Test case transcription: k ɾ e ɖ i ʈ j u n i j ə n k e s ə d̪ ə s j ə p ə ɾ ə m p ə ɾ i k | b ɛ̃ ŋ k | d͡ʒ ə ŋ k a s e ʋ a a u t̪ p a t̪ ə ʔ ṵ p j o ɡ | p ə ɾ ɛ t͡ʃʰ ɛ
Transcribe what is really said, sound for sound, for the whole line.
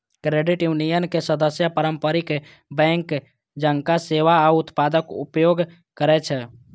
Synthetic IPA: k ɾ e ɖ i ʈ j u n i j ə n k e s ə d̪ ə s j ə p ə ɾ ə m p ə ɾ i k | b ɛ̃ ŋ k | d͡ʒ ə ŋ k a s e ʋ a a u t̪ p a d̪ ə k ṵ p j o ɡ | k ə ɾ ɛ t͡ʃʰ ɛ